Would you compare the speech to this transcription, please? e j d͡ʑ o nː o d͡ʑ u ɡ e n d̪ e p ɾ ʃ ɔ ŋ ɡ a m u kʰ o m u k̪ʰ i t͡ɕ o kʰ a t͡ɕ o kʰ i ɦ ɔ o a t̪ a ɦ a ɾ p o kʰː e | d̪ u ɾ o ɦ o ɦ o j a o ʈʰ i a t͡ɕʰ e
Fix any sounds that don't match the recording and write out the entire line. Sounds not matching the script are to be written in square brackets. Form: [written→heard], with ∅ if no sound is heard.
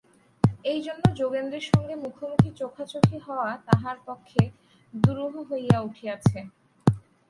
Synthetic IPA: e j d͡ʑ o nː o d͡ʑ [u→o] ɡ e n d̪ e [p→∅] ɾ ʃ ɔ ŋ ɡ [a→e] m u kʰ o m u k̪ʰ i t͡ɕ o kʰ a t͡ɕ o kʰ i ɦ ɔ o a t̪ a ɦ a ɾ p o kʰː e | d̪ u ɾ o ɦ o ɦ o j a [o→u] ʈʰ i a t͡ɕʰ e